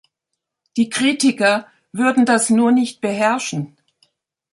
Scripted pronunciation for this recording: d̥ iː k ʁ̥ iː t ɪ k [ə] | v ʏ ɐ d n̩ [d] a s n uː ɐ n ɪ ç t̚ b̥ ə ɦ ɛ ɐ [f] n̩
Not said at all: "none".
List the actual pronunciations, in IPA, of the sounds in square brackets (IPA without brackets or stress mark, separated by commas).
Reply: ɐ, d, ʃ